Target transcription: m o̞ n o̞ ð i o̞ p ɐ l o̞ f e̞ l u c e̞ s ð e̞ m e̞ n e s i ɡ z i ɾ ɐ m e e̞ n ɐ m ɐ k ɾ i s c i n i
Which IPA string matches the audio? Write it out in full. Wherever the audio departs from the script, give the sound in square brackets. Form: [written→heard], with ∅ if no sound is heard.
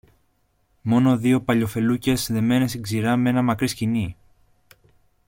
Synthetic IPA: m o̞ n o̞ ð i o̞ p ɐ [l→ʎ] o̞ f e̞ l u c e̞ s ð e̞ m e̞ n e s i ɡ z i ɾ ɐ m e e̞ n ɐ m ɐ k ɾ i s c i n i